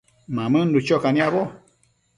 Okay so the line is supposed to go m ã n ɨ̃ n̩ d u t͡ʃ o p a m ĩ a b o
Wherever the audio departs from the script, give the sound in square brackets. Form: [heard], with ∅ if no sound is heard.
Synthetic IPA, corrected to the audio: m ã [m] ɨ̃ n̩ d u t͡ʃ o [k] a [n] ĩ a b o